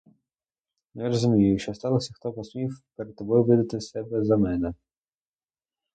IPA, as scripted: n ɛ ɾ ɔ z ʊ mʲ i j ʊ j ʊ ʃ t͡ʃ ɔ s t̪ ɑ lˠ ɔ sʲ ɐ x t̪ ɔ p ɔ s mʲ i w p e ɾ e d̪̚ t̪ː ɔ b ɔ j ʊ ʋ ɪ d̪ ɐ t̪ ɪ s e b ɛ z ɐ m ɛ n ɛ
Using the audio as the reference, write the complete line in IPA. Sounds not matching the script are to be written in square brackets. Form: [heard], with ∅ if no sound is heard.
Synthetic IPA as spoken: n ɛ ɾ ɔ z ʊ mʲ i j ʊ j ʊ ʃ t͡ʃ ɔ s t̪ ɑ lˠ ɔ sʲ ɐ x t̪ ɔ p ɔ s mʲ i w p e ɾ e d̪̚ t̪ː ɔ b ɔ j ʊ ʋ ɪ d̪ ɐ t̪ ɪ s [ɛ] b ɛ z ɐ m ɛ n ɛ

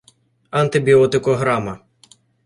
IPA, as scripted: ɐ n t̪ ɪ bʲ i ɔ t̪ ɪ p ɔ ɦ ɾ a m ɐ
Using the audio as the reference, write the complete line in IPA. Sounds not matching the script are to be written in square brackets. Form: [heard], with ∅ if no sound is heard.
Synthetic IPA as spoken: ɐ n t̪ ɪ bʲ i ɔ t̪ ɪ [k] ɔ ɦ ɾ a m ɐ

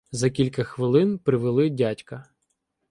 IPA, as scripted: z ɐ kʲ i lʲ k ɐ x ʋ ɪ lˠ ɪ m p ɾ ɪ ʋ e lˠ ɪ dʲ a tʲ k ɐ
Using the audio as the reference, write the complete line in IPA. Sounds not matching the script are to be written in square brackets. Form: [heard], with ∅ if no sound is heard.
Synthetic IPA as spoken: z ɐ kʲ i lʲ k ɐ x ʋ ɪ lˠ ɪ [n] p ɾ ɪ ʋ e lˠ ɪ dʲ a tʲ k ɐ

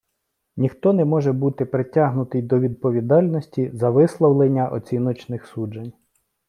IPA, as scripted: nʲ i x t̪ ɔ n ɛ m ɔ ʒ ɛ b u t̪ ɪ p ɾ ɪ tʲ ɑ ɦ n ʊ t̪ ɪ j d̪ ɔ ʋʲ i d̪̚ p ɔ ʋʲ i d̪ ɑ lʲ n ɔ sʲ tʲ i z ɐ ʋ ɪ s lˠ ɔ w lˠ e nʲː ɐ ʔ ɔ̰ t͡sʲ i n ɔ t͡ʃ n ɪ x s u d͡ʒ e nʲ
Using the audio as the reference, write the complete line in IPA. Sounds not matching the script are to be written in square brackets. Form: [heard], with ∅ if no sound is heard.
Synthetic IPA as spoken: nʲ i x t̪ ɔ n ɛ m ɔ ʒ ɛ b u t̪ ɪ p ɾ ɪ tʲ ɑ ɦ n ʊ t̪ ɪ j d̪ ɔ ʋʲ i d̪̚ p ɔ ʋʲ i d̪ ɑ lʲ n ɔ sʲ tʲ i z ɐ ʋ ɪ s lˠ ɔ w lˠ e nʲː ɐ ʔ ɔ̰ t͡sʲ i n ɔ t͡ʃ n ɪ x s u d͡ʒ e nʲ

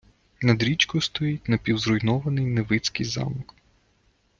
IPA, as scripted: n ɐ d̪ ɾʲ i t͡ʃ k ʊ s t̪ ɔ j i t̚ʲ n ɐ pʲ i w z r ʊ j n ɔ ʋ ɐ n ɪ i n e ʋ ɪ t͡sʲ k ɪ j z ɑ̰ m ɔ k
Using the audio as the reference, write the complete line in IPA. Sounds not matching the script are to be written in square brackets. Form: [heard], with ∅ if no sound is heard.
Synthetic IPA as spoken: n ɐ d̪ ɾʲ i t͡ʃ k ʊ s t̪ ɔ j i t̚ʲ n ɐ pʲ i w z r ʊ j n ɔ ʋ ɐ n ɪ [j] n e ʋ ɪ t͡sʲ k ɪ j z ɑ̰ m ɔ k

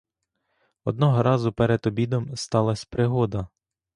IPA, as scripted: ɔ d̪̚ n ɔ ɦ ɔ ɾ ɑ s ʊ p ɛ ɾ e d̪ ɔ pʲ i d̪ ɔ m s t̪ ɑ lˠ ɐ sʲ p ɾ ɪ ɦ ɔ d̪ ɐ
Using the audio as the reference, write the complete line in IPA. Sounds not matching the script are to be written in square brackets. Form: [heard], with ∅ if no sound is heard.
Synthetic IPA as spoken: ɔ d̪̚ n ɔ ɦ ɔ ɾ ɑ [z] ʊ p ɛ ɾ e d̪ ɔ [bʲ] i d̪ ɔ m s t̪ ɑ lˠ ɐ sʲ p ɾ ɪ ɦ ɔ d̪ ɐ

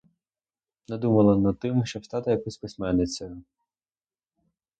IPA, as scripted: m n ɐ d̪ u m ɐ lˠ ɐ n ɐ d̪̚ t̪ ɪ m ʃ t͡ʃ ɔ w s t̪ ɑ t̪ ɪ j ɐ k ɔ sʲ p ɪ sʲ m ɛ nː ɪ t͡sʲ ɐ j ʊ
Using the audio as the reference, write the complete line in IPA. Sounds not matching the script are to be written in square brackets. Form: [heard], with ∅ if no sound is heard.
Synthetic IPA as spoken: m n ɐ d̪ u m ɐ lˠ ɐ n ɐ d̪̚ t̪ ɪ m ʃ t͡ʃ ɔ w s t̪ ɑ t̪ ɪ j ɐ k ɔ sʲ p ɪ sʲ m ɛ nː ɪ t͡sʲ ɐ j ʊ

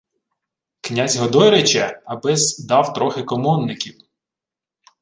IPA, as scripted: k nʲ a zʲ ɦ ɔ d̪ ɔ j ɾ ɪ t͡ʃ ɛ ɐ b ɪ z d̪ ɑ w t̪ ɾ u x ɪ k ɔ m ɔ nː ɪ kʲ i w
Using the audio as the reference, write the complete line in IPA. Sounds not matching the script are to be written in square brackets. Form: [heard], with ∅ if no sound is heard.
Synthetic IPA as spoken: k nʲ a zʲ ɦ ɔ d̪ ɔ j ɾ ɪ t͡ʃ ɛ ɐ b ɪ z d̪ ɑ w t̪ ɾ [ɔ] x ɪ k ɔ m ɔ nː ɪ kʲ i w

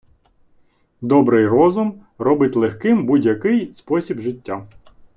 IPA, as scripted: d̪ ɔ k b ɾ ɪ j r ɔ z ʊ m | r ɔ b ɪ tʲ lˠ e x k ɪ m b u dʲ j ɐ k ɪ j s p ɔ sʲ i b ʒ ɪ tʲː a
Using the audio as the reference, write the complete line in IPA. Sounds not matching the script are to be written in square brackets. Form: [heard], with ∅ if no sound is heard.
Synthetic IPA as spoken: d̪ ɔ [∅] b ɾ ɪ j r ɔ z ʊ m | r ɔ b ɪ tʲ lˠ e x k ɪ m b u dʲ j ɐ k ɪ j s p ɔ sʲ i b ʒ ɪ tʲː a

